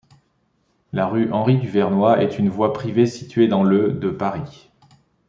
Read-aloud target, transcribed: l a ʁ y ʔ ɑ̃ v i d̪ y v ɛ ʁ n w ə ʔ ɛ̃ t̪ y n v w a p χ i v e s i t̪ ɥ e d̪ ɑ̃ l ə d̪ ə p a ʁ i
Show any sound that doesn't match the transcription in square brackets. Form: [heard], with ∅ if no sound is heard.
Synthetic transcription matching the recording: l a ʁ y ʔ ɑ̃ [ʁ] i d̪ y v ɛ ʁ n w [a] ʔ [ɛ] t̪ y n v w a p χ i v e s i t̪ ɥ e d̪ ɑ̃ l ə d̪ ə p a ʁ i